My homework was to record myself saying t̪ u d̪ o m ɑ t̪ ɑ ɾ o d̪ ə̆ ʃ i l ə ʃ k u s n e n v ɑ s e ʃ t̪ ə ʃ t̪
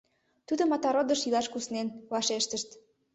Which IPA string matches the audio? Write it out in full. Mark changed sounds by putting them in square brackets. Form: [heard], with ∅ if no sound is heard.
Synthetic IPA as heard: t̪ u d̪ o m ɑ t̪ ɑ ɾ o d̪ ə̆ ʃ i l [ɑ] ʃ k u s n e n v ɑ [ʃ] e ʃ t̪ ə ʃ t̪